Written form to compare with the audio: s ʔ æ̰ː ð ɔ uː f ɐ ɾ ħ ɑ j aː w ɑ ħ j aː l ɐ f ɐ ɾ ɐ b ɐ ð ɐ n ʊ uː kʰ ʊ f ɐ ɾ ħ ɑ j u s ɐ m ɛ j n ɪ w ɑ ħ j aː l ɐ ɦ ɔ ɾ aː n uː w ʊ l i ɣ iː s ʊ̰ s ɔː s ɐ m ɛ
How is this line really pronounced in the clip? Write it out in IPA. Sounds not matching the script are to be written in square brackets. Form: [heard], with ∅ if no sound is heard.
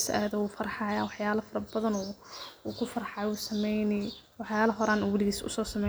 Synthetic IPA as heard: s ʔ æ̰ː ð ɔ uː f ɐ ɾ ħ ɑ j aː w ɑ ħ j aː l ɐ f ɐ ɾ ɐ b ɐ ð ɐ n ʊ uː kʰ ʊ f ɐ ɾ ħ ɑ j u s ɐ m ɛ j n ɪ w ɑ ħ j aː l ɐ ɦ ɔ ɾ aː n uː w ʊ l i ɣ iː s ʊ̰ s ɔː s ɐ m ɛ